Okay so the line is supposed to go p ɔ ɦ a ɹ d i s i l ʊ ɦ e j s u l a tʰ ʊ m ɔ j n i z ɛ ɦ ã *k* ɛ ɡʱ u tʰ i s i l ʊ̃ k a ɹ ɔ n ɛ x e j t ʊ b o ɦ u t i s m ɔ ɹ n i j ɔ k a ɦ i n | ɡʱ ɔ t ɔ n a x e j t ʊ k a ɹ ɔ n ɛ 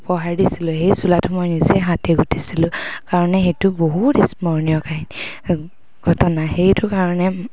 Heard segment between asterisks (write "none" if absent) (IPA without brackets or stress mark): t